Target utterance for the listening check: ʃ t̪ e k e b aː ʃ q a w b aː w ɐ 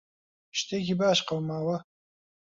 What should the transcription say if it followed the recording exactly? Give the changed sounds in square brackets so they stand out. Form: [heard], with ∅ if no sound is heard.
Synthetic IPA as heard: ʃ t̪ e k [i] b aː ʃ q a w [m] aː w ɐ